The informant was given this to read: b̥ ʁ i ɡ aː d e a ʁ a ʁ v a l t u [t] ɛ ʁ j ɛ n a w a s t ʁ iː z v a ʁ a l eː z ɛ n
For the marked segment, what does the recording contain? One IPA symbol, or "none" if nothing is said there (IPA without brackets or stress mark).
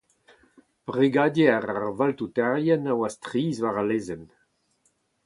t